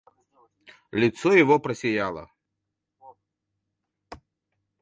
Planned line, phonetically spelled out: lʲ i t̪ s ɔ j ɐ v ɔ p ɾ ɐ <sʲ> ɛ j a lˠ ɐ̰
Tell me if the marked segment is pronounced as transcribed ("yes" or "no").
yes